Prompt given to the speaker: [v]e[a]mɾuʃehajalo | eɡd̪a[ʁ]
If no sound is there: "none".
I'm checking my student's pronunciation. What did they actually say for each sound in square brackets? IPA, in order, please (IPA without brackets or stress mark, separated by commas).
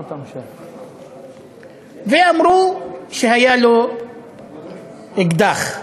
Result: v, a, χ